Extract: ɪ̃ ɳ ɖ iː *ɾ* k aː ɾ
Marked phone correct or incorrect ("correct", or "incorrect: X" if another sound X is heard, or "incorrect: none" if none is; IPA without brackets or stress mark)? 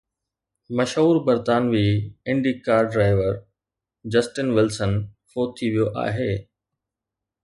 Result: incorrect: none